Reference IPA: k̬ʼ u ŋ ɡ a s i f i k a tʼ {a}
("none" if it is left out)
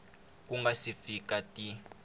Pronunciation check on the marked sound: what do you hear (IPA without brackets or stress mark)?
i